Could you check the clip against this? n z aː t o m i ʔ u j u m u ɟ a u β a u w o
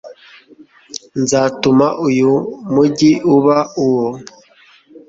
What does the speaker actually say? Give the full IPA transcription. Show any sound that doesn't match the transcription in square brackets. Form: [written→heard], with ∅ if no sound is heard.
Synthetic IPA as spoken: n z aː t [o→u] m [i→a] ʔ u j u m u ɟ [a→i] u β a u w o